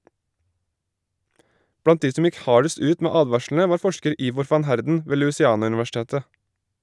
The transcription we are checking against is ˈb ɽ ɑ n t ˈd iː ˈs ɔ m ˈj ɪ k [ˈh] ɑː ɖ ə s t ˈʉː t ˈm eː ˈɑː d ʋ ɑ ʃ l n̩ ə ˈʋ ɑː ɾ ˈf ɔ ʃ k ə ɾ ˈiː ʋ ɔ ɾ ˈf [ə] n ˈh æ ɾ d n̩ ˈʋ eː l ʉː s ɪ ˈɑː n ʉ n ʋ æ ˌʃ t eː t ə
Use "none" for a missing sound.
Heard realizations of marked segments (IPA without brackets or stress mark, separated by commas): h, ɑ